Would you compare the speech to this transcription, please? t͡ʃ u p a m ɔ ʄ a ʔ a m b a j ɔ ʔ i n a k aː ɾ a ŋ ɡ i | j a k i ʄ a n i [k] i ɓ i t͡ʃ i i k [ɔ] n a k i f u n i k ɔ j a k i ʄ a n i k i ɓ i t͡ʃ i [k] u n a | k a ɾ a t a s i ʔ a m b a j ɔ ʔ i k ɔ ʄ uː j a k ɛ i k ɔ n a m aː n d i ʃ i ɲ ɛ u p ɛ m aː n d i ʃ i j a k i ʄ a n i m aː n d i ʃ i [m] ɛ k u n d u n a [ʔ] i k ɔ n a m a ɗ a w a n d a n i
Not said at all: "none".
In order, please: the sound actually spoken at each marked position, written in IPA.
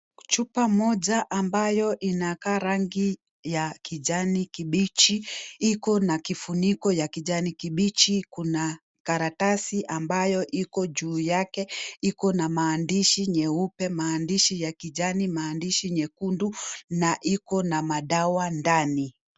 k, ɔ, k, ɲ, ʔ

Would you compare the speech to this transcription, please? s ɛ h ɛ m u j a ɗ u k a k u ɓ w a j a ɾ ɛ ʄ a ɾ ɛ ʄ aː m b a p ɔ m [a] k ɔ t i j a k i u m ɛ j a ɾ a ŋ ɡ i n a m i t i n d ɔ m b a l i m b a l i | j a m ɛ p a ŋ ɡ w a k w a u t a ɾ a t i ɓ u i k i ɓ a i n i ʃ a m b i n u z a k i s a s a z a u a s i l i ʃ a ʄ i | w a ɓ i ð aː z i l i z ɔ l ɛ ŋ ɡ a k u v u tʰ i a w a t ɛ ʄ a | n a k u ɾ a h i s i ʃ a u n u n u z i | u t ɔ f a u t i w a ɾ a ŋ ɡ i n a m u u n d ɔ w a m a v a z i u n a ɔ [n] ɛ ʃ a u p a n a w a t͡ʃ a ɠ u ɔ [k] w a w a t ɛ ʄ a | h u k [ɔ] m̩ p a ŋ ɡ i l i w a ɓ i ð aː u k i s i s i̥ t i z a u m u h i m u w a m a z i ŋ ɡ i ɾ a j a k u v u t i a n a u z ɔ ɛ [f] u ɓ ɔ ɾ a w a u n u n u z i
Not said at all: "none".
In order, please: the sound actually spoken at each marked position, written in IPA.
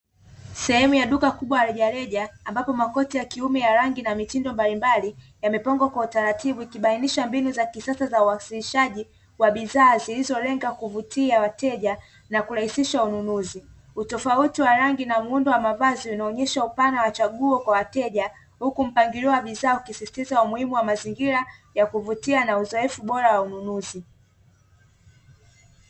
a, ɲ, k, u, f

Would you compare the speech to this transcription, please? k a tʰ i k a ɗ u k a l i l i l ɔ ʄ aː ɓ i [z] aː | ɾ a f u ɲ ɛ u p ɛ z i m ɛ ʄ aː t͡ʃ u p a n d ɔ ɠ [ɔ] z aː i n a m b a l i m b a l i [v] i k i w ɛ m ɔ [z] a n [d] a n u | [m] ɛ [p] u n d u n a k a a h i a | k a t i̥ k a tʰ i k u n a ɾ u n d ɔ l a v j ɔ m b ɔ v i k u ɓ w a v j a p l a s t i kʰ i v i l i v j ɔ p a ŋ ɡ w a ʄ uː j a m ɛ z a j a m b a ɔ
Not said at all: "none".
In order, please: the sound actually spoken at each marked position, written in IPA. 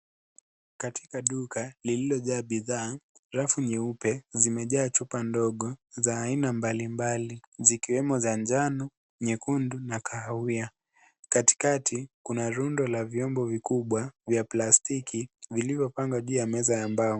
ð, ɔ, z, z, d͡ʒ, ɲ, k

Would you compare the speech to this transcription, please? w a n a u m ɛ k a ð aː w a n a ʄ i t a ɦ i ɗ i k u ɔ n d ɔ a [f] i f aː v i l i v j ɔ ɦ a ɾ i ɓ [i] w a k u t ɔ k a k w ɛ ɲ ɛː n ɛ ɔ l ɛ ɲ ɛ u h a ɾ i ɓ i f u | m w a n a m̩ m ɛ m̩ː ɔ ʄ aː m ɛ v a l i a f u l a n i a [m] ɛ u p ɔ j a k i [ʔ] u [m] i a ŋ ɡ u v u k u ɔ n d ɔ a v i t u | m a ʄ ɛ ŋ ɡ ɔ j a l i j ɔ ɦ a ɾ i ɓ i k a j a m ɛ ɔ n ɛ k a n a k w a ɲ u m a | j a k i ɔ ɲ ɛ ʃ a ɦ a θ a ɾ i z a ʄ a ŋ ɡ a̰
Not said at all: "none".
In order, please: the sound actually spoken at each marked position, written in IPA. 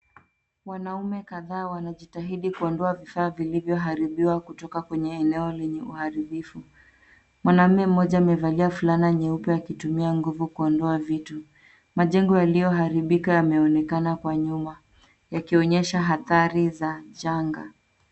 v, i, ɲ, t, m

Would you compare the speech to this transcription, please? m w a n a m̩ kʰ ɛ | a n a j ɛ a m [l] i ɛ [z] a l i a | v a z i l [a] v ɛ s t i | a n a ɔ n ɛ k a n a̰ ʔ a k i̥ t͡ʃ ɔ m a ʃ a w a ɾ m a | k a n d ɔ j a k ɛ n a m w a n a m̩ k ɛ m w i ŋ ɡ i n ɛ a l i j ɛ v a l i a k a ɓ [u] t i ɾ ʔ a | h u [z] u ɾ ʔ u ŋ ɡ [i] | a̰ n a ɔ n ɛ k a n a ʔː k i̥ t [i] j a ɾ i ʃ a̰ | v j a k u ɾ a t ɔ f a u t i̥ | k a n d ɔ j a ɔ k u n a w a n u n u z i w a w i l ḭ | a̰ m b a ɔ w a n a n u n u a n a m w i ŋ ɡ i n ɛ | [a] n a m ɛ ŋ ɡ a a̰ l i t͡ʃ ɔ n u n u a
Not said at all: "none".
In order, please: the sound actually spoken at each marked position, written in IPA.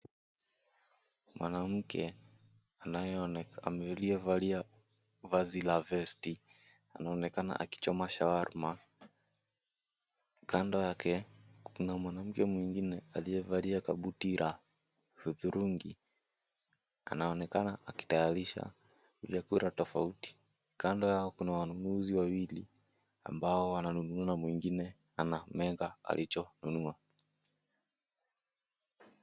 l, v, a, u, ð, i, a, a

